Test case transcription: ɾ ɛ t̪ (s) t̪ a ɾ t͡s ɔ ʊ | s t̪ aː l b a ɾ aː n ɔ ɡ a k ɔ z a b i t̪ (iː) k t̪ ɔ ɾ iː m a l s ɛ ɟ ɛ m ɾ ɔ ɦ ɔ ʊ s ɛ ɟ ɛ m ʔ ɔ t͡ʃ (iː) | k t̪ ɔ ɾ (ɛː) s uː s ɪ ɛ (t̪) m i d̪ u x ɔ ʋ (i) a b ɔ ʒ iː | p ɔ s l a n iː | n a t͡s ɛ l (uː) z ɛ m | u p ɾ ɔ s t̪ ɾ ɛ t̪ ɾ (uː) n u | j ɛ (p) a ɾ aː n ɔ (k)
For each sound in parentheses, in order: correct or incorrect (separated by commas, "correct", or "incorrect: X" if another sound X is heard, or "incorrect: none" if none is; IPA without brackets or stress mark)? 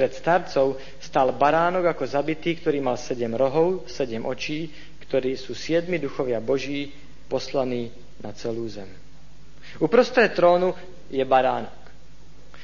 correct, correct, correct, incorrect: iː, incorrect: d̪, incorrect: ɪ, correct, incorrect: ɔː, incorrect: b, correct